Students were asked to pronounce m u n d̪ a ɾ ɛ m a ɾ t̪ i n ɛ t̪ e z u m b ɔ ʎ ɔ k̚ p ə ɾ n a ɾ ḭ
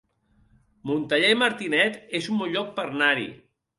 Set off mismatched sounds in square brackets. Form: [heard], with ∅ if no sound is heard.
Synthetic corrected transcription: m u n [t̪] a [ʎ] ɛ m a ɾ t̪ i n ɛ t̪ e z u m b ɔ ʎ ɔ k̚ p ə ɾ n a ɾ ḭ